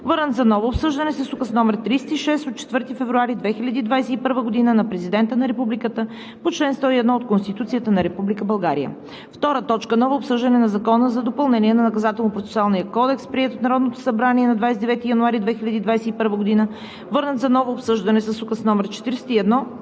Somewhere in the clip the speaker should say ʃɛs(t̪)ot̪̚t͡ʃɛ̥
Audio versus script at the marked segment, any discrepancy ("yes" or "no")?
no